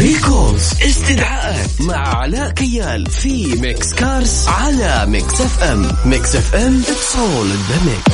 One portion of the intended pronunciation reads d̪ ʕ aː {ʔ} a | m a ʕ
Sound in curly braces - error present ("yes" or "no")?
no